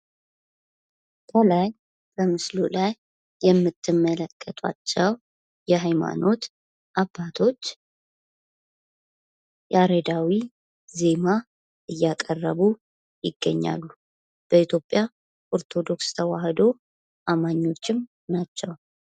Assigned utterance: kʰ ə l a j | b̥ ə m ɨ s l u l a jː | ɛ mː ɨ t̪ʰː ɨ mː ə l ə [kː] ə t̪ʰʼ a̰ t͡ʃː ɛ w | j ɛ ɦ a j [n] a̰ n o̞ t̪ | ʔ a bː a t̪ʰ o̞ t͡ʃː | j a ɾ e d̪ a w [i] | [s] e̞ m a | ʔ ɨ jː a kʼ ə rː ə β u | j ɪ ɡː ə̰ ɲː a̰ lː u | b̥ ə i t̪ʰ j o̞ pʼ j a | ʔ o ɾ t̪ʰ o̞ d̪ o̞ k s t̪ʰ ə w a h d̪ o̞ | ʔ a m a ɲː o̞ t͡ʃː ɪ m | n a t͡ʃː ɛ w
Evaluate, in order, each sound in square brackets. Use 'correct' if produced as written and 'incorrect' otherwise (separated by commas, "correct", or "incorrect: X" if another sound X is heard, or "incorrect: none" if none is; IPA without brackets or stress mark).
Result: incorrect: kʼː, incorrect: m, correct, incorrect: z